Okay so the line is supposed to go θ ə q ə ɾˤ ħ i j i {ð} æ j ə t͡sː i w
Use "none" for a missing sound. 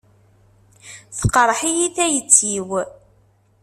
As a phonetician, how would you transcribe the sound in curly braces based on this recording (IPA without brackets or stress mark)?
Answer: θ